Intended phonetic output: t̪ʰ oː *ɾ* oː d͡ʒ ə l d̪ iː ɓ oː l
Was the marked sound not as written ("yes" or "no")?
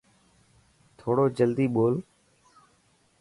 yes